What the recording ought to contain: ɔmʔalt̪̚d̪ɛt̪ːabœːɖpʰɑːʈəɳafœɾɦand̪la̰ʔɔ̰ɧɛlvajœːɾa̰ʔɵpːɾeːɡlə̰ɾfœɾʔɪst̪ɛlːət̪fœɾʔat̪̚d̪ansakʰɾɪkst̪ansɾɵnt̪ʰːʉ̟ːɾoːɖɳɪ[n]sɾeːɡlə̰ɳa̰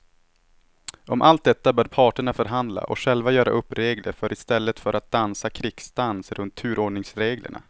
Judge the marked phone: incorrect: ŋ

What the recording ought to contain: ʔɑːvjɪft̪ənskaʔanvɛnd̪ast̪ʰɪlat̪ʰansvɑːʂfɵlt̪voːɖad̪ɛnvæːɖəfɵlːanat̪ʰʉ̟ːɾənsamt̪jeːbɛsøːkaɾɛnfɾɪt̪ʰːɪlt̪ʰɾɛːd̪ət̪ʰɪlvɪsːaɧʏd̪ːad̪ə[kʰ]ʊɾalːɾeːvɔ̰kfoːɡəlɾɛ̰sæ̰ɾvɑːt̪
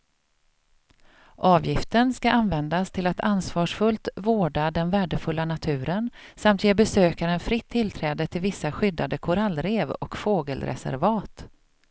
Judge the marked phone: correct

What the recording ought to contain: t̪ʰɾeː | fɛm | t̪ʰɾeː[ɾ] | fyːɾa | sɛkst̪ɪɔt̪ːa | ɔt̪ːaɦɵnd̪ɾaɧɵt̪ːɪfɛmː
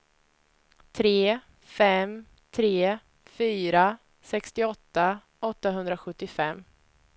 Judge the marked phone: incorrect: none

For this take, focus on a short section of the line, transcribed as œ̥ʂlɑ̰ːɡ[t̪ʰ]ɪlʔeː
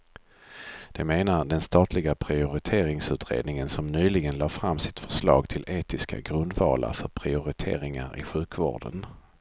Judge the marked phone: correct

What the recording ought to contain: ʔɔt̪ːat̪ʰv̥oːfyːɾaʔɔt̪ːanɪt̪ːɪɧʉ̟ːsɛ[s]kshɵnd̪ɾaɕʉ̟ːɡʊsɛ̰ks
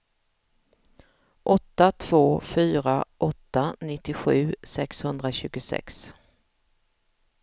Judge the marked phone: incorrect: none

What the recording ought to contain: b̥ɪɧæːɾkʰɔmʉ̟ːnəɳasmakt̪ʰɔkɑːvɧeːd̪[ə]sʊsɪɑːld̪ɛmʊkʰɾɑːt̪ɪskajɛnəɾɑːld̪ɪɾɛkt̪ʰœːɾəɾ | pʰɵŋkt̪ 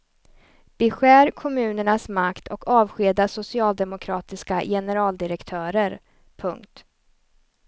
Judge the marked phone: incorrect: a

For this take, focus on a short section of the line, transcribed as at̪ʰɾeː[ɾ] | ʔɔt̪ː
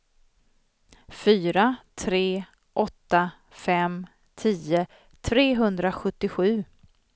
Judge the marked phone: incorrect: none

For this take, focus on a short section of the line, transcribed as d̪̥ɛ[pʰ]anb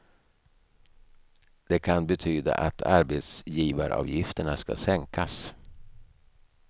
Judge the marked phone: incorrect: kʰ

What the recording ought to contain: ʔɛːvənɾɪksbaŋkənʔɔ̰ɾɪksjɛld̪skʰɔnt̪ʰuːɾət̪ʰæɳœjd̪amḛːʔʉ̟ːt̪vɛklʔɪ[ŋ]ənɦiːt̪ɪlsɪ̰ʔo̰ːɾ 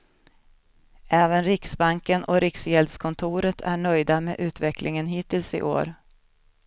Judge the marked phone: correct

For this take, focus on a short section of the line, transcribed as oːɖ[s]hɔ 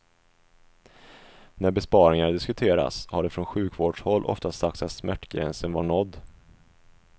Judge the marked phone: incorrect: ʂ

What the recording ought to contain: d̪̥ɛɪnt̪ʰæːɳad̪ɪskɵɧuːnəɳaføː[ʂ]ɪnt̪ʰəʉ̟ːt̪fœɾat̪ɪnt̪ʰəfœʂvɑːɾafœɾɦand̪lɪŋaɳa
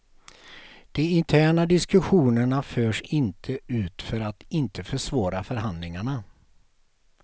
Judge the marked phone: correct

